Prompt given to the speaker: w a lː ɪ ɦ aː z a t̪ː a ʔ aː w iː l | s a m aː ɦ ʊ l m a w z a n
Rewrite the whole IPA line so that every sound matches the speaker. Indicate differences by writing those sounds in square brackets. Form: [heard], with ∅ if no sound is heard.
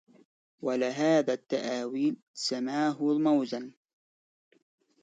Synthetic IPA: w a [l] ɪ ɦ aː [ð] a t̪ː a ʔ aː w iː l | s a m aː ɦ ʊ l m a w z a n